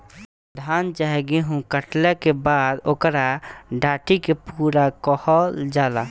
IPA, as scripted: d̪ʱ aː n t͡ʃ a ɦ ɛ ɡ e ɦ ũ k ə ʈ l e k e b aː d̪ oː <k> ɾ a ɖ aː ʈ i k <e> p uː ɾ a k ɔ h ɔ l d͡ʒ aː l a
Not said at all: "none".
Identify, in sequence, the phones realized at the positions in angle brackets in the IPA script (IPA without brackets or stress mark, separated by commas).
k, e